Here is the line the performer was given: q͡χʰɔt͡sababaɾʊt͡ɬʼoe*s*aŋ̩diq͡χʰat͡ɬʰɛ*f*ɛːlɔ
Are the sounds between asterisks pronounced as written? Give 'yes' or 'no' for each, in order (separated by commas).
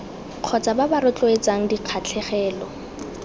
no, no